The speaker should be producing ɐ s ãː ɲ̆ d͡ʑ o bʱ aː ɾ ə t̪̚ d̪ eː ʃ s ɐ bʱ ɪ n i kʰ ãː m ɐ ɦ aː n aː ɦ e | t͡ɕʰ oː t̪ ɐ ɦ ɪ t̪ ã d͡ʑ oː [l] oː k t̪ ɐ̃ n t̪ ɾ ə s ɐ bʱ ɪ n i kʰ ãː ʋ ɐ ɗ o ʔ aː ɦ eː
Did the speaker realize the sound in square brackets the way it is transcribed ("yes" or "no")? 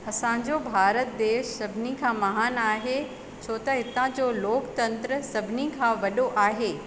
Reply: yes